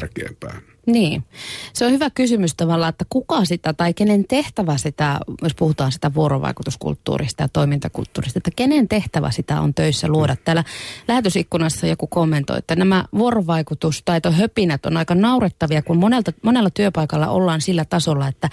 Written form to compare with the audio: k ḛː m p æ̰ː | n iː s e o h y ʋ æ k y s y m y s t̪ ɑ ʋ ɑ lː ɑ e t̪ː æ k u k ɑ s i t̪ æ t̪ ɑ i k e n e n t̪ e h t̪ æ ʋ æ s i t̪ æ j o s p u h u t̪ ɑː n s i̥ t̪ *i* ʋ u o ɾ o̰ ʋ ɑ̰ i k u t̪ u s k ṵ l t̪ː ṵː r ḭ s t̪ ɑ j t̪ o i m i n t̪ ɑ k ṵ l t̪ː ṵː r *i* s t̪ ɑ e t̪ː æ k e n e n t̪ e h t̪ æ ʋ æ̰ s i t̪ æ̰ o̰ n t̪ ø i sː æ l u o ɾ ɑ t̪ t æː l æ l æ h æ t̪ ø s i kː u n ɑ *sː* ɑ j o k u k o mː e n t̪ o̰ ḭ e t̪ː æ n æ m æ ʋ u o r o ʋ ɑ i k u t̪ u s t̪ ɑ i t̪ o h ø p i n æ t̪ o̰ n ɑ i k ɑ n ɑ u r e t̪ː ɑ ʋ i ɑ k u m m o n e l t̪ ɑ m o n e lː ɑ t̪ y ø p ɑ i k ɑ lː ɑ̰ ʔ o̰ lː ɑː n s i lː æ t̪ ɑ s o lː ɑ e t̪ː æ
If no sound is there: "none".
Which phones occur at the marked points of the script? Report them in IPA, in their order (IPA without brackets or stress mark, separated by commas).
æ, i, sː